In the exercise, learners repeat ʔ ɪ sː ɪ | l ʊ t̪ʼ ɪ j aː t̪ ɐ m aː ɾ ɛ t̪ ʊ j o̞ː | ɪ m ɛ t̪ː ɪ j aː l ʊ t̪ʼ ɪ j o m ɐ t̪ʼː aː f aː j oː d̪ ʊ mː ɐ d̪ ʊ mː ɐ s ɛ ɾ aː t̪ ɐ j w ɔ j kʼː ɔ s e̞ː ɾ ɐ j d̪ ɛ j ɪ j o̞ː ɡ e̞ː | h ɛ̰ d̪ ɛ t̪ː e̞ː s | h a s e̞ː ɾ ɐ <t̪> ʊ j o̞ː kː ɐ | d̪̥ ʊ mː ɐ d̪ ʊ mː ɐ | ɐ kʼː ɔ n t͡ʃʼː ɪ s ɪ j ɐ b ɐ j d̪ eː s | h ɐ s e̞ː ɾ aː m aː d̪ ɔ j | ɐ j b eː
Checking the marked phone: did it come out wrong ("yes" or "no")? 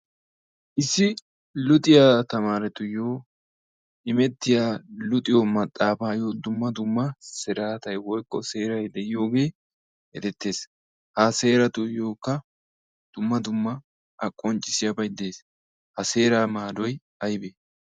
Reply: no